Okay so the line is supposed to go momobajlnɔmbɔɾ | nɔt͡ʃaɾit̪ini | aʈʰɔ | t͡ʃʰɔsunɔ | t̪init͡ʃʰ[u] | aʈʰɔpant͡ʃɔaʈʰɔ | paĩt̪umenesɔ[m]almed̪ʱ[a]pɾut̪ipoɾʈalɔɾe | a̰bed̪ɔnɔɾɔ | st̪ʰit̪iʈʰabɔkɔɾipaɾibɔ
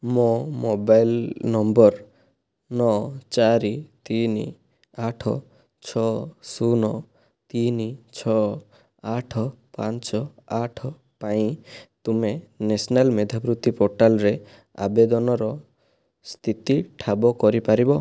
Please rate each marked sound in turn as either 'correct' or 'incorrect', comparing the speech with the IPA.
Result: incorrect: ɔ, incorrect: n, correct

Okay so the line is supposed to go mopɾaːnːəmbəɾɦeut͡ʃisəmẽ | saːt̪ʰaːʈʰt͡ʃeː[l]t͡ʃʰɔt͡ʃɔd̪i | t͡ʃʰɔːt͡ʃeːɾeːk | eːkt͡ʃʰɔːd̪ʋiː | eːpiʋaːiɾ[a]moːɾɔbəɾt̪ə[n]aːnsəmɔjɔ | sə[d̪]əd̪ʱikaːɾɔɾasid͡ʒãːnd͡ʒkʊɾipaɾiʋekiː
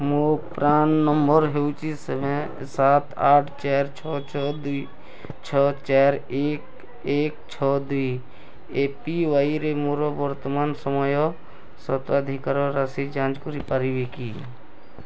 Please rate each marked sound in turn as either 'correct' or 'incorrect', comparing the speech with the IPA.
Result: incorrect: ɾ, incorrect: e, incorrect: m, incorrect: t̪

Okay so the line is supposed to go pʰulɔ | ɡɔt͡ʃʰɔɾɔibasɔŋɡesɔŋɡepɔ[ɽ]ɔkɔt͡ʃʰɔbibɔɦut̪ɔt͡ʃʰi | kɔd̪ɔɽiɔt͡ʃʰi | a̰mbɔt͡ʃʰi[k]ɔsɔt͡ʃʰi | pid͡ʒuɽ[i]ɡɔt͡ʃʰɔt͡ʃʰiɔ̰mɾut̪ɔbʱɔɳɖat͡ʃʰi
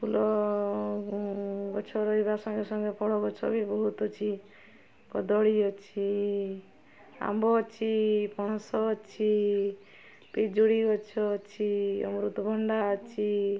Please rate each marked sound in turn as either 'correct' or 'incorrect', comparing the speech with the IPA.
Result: correct, incorrect: p, correct

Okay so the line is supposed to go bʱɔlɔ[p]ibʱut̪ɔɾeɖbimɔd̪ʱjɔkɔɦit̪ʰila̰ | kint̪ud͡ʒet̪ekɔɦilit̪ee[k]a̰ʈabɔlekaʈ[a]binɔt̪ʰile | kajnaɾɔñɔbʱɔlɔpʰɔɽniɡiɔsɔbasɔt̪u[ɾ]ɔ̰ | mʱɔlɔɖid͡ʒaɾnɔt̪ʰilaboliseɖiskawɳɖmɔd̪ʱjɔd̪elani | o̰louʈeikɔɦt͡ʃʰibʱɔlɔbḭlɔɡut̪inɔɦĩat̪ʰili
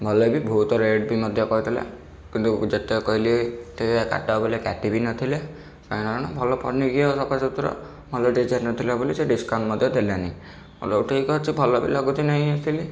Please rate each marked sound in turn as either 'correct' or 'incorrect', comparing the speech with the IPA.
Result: incorrect: b, correct, incorrect: i, correct

